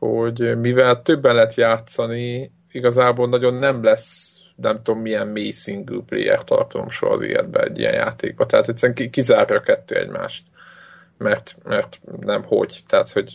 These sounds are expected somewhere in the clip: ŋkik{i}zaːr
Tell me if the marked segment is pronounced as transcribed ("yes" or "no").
yes